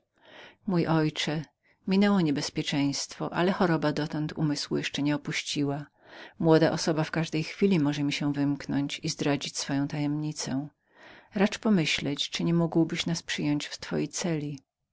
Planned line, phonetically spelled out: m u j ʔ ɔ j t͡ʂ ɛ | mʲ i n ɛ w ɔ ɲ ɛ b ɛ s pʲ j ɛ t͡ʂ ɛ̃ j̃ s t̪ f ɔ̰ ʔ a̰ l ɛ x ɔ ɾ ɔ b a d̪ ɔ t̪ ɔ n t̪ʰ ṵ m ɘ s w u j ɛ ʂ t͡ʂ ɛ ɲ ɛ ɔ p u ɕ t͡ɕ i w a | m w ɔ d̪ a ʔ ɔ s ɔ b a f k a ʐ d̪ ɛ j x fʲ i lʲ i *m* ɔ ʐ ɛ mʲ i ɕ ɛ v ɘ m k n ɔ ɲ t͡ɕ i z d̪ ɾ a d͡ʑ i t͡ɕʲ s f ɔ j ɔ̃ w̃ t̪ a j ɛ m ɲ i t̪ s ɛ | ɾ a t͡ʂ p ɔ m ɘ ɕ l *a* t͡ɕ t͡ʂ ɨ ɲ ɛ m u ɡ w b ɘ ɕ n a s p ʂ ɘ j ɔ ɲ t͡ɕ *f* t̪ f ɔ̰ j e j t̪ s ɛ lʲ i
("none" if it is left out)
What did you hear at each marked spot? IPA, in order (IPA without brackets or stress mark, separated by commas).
m, ɛ, f